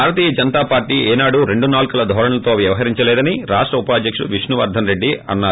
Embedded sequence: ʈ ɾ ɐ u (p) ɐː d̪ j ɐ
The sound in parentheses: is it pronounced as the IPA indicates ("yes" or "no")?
yes